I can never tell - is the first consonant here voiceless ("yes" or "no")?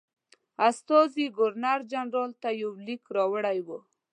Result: yes